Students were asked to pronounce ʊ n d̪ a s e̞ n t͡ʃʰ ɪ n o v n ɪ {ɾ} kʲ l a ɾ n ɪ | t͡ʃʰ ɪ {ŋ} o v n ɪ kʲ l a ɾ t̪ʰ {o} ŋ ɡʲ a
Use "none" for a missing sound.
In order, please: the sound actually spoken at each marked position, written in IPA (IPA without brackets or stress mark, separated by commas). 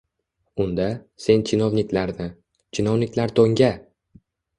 none, n, o